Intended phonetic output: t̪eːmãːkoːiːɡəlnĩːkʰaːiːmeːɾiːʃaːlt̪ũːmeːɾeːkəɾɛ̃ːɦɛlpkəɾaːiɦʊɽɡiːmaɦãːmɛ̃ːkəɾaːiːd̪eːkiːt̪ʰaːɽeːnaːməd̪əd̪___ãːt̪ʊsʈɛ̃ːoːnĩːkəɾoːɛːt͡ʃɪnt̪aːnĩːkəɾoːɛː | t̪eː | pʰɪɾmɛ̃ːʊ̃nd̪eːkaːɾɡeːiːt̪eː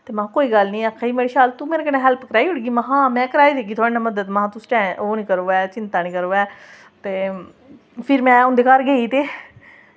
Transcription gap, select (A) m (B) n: A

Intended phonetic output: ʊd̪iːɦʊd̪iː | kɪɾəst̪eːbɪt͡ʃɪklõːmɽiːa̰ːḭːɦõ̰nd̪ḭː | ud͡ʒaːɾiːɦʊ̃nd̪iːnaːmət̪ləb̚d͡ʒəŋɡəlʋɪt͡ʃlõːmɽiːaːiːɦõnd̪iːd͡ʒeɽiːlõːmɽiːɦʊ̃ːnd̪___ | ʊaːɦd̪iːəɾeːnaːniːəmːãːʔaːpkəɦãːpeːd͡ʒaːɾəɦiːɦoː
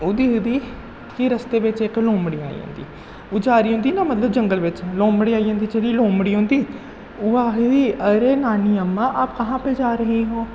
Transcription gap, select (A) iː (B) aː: A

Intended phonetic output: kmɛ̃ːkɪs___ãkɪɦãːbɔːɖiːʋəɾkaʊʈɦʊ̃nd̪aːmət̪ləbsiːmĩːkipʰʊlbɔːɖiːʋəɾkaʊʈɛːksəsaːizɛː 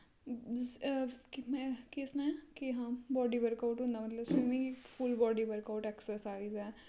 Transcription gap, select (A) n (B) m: A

